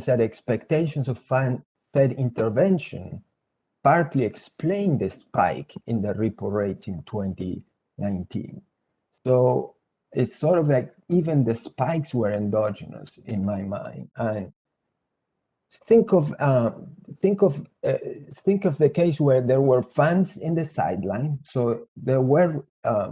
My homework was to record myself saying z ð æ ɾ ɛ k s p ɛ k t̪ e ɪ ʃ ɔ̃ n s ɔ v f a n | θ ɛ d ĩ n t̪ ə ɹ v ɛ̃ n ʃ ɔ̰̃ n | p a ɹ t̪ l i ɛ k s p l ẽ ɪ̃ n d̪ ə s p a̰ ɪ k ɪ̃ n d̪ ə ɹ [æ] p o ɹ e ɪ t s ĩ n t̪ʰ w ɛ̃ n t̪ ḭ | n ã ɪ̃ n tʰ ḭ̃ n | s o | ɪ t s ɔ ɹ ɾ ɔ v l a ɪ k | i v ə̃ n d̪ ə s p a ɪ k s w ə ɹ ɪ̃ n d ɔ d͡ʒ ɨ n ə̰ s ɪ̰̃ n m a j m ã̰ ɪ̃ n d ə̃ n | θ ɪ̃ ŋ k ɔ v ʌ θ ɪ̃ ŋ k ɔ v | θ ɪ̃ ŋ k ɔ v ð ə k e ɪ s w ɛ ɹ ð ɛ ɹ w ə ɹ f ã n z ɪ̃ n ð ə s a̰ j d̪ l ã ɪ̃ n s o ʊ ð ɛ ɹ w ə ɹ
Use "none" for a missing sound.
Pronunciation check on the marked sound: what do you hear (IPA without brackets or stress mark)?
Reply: i